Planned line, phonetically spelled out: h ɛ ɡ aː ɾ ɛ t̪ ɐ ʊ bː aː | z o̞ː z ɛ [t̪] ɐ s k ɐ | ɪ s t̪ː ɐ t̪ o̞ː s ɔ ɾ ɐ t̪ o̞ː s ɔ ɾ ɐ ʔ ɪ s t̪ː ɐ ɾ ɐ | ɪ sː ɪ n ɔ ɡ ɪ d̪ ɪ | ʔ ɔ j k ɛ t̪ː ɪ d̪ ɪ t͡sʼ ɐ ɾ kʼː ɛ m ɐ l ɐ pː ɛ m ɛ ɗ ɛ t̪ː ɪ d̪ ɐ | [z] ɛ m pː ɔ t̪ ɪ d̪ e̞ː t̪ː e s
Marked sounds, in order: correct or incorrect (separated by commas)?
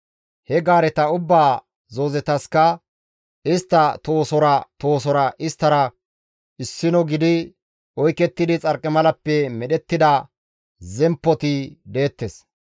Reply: correct, correct